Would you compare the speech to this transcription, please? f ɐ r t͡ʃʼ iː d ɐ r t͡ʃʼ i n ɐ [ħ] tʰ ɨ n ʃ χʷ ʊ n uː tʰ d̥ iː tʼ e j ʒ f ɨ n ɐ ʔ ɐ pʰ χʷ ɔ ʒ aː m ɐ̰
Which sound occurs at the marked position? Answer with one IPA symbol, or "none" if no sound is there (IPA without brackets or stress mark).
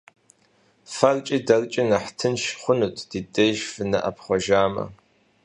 ħ